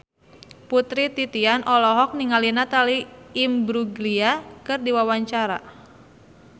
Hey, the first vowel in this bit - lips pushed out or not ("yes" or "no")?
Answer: yes